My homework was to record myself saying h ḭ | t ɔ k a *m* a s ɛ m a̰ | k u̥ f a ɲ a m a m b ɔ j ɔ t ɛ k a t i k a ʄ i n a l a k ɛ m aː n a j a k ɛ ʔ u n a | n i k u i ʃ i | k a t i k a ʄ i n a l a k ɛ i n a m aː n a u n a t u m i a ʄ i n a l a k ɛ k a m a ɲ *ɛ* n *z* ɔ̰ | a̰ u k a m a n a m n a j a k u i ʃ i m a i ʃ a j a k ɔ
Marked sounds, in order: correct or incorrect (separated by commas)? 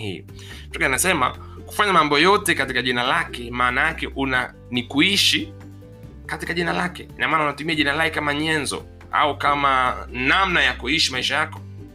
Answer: incorrect, correct, correct